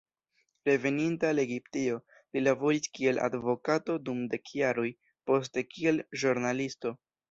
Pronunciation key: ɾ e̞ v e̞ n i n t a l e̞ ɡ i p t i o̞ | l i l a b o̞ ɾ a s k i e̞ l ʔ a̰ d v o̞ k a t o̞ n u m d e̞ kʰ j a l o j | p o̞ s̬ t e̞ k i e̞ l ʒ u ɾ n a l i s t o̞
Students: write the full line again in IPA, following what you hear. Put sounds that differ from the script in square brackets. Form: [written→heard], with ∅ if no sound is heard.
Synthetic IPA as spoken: ɾ e̞ v e̞ n i n t a l e̞ ɡ i p t i o̞ | l i l a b o̞ ɾ [a→i] s k i e̞ l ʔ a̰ d v o̞ k a t o̞ [n→d] u m d e̞ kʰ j a [l→ɾ] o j | p o̞ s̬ t e̞ k i e̞ l ʒ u ɾ n a l i s t o̞